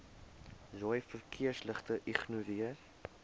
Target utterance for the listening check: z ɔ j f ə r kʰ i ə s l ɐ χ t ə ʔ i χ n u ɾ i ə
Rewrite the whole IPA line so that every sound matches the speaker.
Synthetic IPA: z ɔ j f ə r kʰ i ə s l ə χ t ə ʔ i χ n u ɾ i ə